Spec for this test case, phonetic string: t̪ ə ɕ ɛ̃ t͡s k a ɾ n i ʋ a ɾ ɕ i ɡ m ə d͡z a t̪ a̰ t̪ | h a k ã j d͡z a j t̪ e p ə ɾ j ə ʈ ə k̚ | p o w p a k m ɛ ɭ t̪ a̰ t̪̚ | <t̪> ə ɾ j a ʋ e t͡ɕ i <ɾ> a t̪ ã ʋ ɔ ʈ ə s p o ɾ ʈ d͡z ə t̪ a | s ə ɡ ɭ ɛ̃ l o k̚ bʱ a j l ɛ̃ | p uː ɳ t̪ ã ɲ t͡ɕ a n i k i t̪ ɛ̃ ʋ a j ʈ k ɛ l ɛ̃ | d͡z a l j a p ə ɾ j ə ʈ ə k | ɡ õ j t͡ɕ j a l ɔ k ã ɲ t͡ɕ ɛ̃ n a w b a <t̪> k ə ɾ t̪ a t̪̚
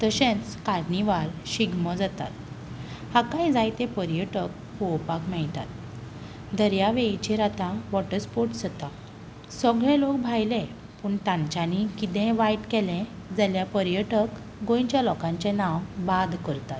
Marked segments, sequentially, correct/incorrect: incorrect: d̪, correct, incorrect: d̪

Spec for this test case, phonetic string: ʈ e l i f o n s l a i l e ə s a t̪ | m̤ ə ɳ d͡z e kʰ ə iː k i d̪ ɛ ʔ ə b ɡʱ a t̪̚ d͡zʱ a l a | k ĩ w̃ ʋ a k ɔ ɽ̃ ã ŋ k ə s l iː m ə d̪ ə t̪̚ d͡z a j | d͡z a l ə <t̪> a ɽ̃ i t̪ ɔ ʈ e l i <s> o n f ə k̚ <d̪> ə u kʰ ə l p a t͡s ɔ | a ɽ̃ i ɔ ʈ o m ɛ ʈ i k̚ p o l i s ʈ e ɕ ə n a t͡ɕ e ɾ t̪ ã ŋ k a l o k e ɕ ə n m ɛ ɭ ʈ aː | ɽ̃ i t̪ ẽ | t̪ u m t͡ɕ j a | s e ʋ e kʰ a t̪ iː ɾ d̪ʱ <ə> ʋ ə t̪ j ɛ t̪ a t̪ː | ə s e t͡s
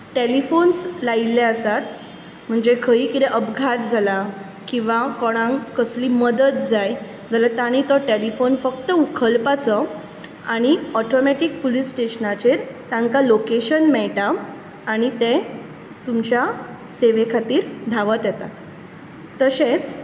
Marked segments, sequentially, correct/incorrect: correct, incorrect: f, incorrect: t̪, incorrect: a

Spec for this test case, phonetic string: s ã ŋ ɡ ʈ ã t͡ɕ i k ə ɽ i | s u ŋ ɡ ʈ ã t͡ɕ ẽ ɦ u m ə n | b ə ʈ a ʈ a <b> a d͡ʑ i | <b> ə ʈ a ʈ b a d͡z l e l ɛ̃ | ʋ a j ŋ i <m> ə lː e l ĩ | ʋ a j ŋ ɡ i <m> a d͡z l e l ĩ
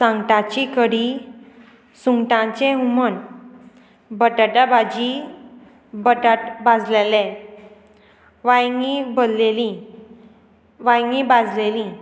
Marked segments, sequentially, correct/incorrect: correct, correct, incorrect: b, incorrect: b

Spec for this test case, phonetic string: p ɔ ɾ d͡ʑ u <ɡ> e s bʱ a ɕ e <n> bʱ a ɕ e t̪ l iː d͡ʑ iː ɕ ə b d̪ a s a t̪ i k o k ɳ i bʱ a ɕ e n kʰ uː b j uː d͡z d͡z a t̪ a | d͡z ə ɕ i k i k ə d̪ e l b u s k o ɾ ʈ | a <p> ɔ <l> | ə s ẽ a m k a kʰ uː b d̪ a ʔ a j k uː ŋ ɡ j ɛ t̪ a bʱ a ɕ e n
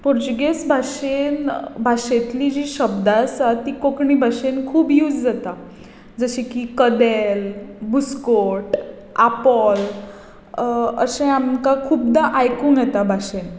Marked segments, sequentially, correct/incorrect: correct, correct, correct, correct

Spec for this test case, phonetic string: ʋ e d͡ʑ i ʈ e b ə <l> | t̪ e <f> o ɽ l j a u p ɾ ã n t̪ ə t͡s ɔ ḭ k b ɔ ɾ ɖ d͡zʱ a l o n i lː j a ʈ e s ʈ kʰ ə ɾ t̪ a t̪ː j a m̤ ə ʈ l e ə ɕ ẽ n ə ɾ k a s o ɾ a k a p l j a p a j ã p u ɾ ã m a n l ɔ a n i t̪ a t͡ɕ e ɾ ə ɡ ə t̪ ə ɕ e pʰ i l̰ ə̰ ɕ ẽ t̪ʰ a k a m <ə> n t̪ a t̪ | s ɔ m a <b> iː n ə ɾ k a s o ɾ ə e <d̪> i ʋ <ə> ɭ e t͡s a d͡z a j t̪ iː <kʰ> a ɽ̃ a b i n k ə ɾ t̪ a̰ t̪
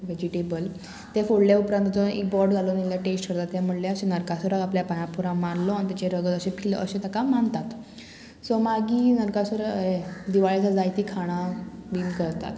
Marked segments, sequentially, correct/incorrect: correct, correct, incorrect: a, incorrect: ɡ, correct, incorrect: a, correct

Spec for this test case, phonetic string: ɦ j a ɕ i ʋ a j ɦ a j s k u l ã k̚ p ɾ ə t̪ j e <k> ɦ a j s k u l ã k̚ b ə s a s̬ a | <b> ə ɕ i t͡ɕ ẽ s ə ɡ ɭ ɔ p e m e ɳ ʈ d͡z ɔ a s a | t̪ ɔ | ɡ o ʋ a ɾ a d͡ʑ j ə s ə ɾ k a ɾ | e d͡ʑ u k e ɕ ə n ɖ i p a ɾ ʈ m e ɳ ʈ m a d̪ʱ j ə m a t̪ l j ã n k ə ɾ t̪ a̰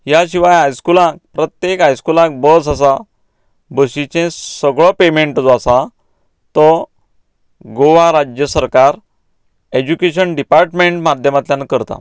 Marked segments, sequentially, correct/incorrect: correct, correct

